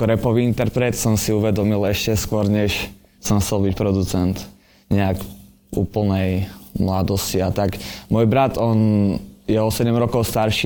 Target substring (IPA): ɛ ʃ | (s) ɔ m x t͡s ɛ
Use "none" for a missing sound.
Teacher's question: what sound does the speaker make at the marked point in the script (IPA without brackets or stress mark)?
s